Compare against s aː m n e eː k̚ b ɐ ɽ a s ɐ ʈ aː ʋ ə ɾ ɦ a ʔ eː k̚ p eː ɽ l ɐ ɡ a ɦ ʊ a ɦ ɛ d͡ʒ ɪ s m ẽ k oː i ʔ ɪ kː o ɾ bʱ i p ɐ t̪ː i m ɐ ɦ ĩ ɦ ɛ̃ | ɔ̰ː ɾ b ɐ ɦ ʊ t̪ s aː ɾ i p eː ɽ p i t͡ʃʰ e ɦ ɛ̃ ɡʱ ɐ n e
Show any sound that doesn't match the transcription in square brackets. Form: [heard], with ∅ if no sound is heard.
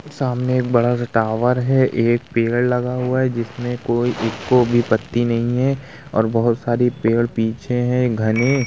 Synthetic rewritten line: s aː m n e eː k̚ b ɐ ɽ a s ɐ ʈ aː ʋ ə ɾ ɦ [ɛ] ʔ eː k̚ p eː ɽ l ɐ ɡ a ɦ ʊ a ɦ ɛ d͡ʒ ɪ s m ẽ k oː i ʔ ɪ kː o [∅] bʱ i p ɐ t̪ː i [n] ɐ ɦ ĩ ɦ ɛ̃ | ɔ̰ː ɾ b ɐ ɦ ʊ t̪ s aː ɾ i p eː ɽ p [iː] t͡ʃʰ e ɦ ɛ̃ ɡʱ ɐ n e

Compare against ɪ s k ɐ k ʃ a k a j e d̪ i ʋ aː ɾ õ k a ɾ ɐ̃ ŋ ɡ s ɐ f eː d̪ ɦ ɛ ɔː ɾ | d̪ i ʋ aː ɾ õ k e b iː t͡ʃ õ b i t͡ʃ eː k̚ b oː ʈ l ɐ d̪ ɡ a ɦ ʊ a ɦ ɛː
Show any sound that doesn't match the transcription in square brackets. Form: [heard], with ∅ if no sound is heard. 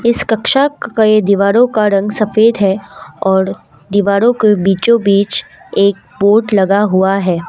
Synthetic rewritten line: ɪ s k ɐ k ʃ a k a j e d̪ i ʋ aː ɾ õ k a ɾ ɐ̃ ŋ ɡ s ɐ f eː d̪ ɦ ɛ ɔː ɾ | d̪ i ʋ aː ɾ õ k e b iː t͡ʃ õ b [iː] t͡ʃ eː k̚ b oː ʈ l ɐ [∅] ɡ a ɦ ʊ a ɦ ɛː

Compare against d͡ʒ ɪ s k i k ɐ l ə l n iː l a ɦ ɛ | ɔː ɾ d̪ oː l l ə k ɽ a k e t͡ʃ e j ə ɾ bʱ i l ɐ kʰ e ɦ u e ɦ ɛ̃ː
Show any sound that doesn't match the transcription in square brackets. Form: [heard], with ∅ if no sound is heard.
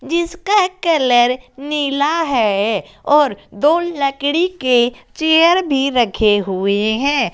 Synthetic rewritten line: d͡ʒ ɪ s k [a] k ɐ l ə [ɾ] n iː l a ɦ ɛ | ɔː ɾ d̪ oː l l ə k ɽ [i] k e t͡ʃ e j ə ɾ bʱ i [ɾ] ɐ kʰ e ɦ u e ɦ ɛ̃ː

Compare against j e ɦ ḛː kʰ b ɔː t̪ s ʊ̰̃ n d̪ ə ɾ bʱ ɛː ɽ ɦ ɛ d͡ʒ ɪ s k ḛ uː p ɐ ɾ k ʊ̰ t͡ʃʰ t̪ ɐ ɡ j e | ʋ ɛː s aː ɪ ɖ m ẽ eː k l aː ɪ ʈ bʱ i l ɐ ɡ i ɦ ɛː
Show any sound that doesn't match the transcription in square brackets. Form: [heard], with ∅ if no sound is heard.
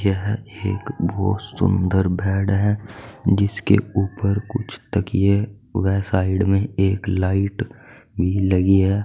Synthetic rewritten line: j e ɦ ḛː [k] b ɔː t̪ s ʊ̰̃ n d̪ ə ɾ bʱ ɛː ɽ ɦ ɛ d͡ʒ ɪ s k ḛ uː p [ə] ɾ k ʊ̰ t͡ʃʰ t̪ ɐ [k] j e | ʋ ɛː s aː ɪ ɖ m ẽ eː k l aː ɪ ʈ bʱ i l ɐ ɡ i ɦ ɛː

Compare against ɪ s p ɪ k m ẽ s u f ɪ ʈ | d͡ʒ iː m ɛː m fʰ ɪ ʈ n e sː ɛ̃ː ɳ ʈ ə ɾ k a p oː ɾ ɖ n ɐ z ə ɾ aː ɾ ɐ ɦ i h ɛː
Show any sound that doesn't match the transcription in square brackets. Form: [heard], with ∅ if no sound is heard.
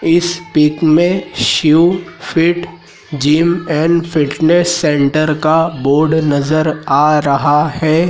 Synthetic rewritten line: ɪ s p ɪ k m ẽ [ʃ] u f ɪ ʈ | d͡ʒ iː m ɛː [n] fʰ ɪ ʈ n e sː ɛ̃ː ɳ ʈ ə ɾ k a [b] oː ɾ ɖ n ɐ z ə ɾ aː ɾ ɐ ɦ [a] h ɛː

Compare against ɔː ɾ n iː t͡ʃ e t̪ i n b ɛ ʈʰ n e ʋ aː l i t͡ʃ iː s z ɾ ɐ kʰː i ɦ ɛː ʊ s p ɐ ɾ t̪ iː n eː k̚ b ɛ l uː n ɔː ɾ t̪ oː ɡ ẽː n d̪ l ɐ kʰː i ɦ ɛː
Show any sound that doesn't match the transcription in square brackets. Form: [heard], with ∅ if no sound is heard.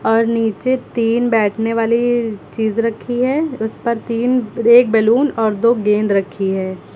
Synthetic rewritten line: ɔː ɾ n iː t͡ʃ e t̪ [iː] n b [ɛː] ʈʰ n e ʋ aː l i t͡ʃ iː [∅] z ɾ ɐ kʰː i ɦ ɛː ʊ s p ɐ ɾ t̪ iː n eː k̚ b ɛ l uː n ɔː ɾ [d̪] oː ɡ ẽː n d̪ [ɾ] ɐ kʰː i ɦ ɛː

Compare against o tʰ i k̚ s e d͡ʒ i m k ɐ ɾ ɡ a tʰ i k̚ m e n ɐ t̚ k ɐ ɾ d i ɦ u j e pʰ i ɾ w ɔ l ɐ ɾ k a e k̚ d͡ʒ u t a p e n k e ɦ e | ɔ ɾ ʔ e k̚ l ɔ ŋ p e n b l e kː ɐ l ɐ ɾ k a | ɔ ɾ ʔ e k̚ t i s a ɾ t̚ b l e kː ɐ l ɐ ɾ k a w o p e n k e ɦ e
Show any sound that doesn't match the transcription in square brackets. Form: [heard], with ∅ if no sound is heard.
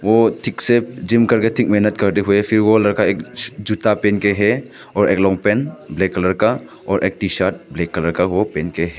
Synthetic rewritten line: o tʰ i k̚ s e d͡ʒ i m k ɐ ɾ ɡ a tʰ i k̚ m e n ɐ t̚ k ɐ ɾ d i ɦ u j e pʰ i ɾ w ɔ l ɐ ɾ k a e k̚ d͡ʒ u t a p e n k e ɦ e | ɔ ɾ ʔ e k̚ l ɔ ŋ p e n b l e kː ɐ l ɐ ɾ k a | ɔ ɾ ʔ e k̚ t i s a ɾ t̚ b l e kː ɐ l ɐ ɾ k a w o p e n k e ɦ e

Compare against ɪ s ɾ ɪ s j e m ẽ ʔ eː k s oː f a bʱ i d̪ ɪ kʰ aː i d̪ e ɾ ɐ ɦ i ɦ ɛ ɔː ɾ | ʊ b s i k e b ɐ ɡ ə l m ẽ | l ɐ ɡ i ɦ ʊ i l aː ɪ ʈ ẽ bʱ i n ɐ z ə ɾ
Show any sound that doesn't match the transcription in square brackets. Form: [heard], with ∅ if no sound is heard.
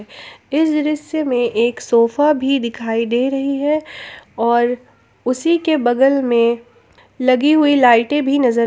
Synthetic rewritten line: ɪ s ɾ ɪ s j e m ẽ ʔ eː k s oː f a bʱ i d̪ ɪ kʰ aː i d̪ e ɾ ɐ ɦ i ɦ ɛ ɔː ɾ | ʊ [∅] s i k e b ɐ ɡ ə l m ẽ | l ɐ ɡ i ɦ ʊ i l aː ɪ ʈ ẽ bʱ i n ɐ z ə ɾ

